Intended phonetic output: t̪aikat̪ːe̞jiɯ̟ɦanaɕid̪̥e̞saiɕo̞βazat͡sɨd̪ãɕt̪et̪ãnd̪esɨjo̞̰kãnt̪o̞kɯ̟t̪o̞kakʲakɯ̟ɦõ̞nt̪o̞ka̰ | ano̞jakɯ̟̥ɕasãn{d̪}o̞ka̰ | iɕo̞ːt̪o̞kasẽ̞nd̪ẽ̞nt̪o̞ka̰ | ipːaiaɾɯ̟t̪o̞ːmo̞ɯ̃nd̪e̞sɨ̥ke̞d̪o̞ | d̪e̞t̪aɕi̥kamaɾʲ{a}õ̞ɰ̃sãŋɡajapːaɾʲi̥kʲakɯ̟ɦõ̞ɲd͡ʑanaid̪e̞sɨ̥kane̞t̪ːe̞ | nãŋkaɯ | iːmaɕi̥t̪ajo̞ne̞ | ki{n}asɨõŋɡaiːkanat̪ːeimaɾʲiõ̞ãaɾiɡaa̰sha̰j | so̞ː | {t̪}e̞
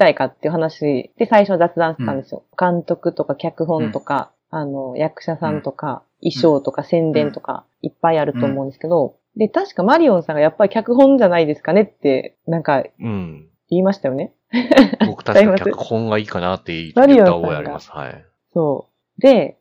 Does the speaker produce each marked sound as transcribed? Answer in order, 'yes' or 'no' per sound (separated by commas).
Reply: no, no, no, no